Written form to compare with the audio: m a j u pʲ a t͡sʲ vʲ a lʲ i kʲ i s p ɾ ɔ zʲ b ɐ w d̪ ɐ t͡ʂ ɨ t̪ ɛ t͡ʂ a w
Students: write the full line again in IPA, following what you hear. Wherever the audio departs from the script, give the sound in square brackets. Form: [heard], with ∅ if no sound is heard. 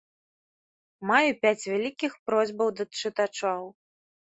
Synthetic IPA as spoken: m a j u pʲ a t͡sʲ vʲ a lʲ i kʲ i [x] p ɾ ɔ zʲ b ɐ w d̪ ɐ t͡ʂ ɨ t̪ [a] t͡ʂ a w